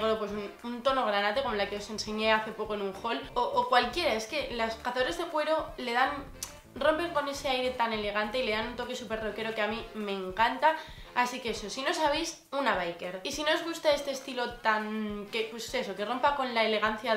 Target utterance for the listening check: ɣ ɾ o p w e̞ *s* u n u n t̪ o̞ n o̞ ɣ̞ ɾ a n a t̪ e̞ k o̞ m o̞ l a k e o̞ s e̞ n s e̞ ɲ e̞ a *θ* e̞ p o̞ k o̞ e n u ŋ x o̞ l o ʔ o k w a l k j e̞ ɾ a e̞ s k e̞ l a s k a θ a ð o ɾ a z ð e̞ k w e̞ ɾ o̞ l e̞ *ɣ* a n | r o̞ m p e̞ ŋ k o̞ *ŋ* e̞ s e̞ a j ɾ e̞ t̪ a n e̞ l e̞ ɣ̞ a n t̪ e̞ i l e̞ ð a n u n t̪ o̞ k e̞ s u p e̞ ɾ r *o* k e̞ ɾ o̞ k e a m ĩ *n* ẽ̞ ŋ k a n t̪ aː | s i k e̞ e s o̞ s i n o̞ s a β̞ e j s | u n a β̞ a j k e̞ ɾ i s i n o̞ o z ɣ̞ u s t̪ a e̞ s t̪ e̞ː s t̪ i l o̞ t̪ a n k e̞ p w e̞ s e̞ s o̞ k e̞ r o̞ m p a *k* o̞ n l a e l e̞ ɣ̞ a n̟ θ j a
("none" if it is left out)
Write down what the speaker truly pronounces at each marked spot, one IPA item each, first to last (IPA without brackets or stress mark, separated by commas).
s, θ, ð, n, o, m, k